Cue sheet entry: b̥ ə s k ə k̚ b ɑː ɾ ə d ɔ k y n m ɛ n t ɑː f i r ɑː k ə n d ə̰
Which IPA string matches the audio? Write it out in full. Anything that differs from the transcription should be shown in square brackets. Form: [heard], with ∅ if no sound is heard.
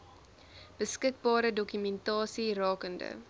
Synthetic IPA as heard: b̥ ə s k ə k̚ b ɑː ɾ ə d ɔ k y [∅] m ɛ n t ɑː [s] i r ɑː k ə n d ə̰